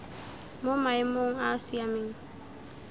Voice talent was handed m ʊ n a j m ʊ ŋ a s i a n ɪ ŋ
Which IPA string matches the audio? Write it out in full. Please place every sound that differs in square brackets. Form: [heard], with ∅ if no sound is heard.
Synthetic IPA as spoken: m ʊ [m] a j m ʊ ŋ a s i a [m] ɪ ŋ